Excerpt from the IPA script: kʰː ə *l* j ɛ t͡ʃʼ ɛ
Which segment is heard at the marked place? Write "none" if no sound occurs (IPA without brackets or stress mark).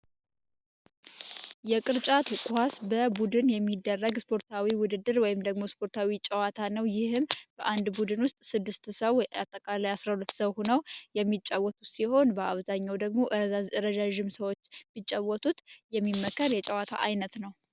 ɾ